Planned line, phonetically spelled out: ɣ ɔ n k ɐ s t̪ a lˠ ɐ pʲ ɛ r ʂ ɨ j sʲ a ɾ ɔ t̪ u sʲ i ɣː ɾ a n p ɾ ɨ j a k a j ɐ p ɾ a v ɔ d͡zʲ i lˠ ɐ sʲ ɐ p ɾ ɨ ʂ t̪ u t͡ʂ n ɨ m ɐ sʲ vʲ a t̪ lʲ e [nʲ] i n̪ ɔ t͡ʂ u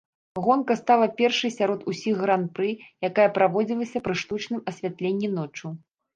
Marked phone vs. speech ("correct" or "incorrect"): incorrect